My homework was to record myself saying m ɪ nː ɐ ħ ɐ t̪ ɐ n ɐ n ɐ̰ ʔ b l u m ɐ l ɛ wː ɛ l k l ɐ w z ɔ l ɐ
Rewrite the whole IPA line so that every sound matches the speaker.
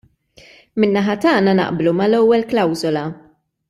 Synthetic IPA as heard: m ɪ nː ɐ ħ ɐ t̪ ɐː n ɐ n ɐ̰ ʔ b l u m ɐ l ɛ wː ɛ l k l ɐ w z ɔ l ɐ